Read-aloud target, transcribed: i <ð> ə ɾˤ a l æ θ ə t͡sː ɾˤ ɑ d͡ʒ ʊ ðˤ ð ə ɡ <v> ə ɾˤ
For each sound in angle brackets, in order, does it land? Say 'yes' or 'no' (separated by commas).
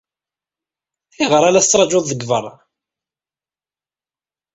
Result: no, yes